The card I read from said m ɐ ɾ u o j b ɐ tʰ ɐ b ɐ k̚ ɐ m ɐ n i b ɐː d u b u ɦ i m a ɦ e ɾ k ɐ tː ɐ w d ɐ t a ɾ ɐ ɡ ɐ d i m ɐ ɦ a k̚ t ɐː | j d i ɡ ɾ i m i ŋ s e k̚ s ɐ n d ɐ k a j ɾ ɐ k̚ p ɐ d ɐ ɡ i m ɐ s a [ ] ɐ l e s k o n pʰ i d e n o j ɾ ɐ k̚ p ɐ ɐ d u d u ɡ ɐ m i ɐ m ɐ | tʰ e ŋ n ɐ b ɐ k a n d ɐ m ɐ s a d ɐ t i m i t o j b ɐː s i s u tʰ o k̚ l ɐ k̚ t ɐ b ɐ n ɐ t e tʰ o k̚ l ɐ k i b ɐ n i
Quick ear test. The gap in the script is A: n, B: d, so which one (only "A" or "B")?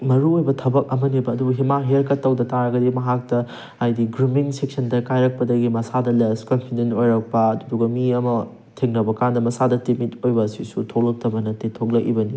B